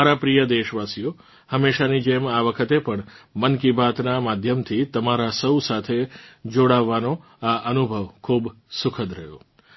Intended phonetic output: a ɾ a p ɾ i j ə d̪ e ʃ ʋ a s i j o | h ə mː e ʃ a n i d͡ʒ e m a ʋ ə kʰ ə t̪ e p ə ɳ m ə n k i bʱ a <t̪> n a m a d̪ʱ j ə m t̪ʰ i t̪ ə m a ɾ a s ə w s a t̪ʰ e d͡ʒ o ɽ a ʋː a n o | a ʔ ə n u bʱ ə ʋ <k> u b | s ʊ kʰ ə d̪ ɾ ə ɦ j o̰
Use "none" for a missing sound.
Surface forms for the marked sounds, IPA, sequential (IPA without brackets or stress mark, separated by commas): t̪, kʰ